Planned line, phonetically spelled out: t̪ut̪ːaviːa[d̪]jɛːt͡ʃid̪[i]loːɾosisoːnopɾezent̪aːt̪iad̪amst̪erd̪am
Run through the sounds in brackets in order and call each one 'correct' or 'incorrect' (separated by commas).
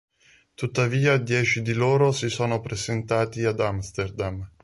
correct, correct